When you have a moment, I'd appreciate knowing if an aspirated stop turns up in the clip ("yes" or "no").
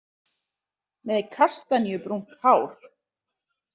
yes